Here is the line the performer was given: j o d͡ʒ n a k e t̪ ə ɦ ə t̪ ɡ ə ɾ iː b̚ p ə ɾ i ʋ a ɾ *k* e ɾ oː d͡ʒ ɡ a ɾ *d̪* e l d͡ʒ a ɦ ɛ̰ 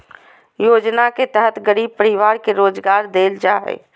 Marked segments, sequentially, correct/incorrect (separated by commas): correct, correct